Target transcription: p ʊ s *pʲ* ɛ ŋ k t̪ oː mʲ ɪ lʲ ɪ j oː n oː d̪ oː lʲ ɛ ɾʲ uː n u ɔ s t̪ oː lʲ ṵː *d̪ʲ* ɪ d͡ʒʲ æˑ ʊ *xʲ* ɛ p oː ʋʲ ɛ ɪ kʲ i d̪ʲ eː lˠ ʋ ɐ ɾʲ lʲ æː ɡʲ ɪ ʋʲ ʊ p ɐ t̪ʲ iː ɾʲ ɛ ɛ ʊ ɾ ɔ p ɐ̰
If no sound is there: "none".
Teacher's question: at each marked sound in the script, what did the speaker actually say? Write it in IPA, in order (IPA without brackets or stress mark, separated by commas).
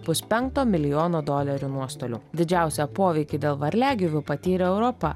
pʲ, d̪ʲ, sʲ